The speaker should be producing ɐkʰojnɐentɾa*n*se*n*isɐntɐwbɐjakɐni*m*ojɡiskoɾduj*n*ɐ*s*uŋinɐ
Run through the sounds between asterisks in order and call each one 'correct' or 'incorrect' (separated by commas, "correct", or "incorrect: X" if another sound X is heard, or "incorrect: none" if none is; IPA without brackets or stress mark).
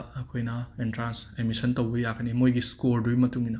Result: correct, incorrect: m, correct, incorrect: m, incorrect: t